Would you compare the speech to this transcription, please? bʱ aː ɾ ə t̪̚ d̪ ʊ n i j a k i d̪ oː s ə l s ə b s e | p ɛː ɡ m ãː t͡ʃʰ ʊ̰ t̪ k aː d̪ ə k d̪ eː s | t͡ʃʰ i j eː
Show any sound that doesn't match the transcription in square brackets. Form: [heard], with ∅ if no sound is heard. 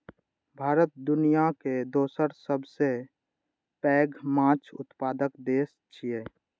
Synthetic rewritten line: bʱ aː ɾ ə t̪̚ d̪ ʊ n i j a k [e] d̪ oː s ə [ɾ] s ə b s e | p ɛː ɡ m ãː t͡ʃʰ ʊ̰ t̪ [p] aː d̪ ə k d̪ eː s | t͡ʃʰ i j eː